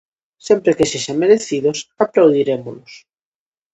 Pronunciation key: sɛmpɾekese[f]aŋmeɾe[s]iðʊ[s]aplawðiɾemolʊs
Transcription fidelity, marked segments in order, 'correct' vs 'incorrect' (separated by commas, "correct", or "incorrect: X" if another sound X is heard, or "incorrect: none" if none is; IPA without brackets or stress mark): incorrect: ʃ, incorrect: θ, correct